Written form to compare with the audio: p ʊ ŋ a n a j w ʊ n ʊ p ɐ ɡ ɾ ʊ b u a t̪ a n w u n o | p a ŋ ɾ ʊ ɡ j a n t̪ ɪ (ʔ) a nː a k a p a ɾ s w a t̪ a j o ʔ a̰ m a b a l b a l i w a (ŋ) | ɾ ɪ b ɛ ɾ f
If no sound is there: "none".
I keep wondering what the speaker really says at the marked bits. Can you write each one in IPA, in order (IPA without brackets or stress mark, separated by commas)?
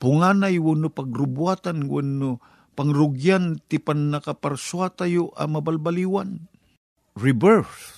p, n